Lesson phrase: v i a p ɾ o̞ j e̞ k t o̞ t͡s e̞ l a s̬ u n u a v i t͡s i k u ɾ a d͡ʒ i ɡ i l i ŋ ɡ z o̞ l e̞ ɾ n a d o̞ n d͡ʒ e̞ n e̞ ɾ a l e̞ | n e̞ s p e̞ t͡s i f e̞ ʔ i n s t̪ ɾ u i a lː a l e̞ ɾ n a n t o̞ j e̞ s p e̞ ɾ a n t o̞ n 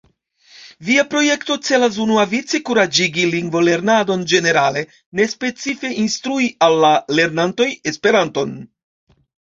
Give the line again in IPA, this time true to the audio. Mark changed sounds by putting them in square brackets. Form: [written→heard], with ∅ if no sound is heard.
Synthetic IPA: v i a p ɾ o̞ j e̞ k t o̞ t͡s e̞ l a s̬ u n u a v i t͡s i k u ɾ a d͡ʒ i ɡ i l i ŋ ɡ [z→v] o̞ l e̞ ɾ n a d o̞ n d͡ʒ e̞ n e̞ ɾ a l e̞ | n e̞ s p e̞ t͡s i f e̞ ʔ i n s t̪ ɾ u i a lː a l e̞ ɾ n a n t o̞ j e̞ s p e̞ ɾ a n t o̞ n